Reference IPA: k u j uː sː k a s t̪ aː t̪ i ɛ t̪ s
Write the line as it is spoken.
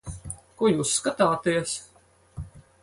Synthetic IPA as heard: k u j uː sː k a t̪ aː t̪ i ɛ s

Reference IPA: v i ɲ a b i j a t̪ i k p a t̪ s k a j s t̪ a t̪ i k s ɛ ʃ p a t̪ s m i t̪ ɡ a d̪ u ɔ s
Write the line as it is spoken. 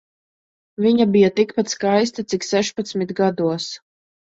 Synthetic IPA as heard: v i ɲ a b i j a t̪ i k p a t̪ s k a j s t̪ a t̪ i k s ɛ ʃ p a t̪ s m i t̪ ɡ a d̪ u ɔ s

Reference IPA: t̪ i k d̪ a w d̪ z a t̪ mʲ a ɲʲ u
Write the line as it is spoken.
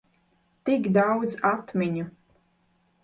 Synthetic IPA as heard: t̪ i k d̪ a w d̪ z a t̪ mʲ i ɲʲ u

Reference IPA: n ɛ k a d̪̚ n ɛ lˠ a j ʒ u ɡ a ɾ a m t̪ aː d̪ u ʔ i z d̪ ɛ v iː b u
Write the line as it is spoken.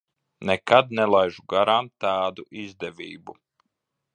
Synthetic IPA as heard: n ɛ k a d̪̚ n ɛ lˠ a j ʒ u ɡ a ɾ a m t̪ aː d̪ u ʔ i z d̪ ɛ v iː b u

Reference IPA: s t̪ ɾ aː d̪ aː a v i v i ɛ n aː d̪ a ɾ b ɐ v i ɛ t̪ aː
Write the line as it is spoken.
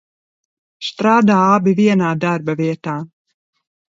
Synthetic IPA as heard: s t̪ ɾ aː d̪ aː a b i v i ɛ n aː d̪ a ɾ b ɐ v i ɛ t̪ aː

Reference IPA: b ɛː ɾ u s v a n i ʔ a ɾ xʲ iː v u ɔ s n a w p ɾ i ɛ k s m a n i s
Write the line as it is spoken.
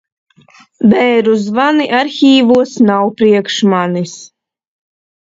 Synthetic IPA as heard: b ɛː ɾ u z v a n i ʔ a ɾ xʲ iː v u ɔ s n a w p ɾ i ɛ k ʃ m a n i s

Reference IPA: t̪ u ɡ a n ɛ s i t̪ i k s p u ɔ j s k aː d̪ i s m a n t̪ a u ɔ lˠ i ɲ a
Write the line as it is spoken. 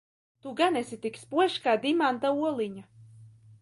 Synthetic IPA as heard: t̪ u ɡ a n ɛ s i t̪ i k s p u ɔ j ʃ k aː d̪ i m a n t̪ a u ɔ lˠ i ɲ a

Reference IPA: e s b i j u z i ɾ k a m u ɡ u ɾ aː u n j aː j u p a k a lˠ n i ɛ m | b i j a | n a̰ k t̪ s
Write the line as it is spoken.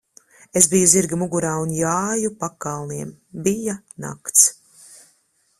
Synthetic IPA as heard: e s b i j u z i ɾ ɡ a m u ɡ u ɾ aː u n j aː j u p a k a lˠ n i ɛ m | b i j a | n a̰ k t̪ s

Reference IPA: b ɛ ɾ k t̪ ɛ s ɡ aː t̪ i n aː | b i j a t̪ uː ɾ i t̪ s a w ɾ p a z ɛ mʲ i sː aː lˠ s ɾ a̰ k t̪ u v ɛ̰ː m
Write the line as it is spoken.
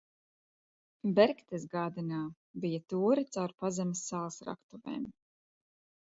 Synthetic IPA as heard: b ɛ ɾ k t̪ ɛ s ɡ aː d̪ i n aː | b i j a t̪ uː ɾ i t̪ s a w ɾ p a z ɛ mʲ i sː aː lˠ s ɾ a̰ k t̪ u v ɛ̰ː m

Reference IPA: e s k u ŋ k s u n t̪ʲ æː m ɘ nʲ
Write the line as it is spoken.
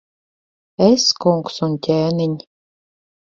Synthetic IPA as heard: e s k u ŋ k s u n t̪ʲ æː n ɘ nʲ

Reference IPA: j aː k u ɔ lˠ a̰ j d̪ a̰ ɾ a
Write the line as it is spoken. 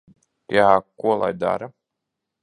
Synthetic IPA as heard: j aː k u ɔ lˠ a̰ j d̪ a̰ ɾ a

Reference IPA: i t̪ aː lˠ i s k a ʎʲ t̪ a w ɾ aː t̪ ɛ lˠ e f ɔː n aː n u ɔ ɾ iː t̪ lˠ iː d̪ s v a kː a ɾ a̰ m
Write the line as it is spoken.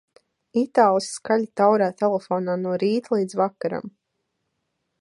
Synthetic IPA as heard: i t̪ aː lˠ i s k a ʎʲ t̪ a w ɾ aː t̪ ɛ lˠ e f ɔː n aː n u ɔ ɾ iː t̪ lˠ iː d̪ z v a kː a ɾ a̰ m

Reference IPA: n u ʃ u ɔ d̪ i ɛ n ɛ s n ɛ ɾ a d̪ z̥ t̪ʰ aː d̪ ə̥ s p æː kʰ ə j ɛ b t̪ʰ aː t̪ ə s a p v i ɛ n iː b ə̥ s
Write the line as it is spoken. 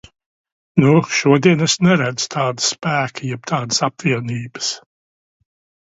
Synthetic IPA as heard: n u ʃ u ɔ d̪ i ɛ n ɛ s n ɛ ɾ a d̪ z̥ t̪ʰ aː d̪ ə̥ s p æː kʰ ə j ɛ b t̪ʰ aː d̪ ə s a p v i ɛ n iː b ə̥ s

